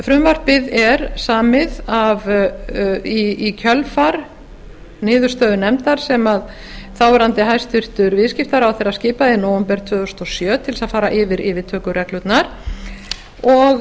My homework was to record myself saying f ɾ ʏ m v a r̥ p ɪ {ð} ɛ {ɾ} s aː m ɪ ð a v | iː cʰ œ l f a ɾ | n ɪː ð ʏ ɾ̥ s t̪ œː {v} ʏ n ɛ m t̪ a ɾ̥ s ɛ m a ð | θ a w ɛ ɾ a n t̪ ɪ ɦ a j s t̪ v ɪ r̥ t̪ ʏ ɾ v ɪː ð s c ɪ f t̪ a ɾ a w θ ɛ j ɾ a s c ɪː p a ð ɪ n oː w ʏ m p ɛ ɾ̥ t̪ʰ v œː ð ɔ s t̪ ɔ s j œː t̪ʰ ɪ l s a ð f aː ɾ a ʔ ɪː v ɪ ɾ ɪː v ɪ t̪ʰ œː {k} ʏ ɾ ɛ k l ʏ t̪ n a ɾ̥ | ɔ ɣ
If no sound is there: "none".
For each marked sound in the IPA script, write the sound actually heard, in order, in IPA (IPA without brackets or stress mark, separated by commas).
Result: ð, ɾ, ð, k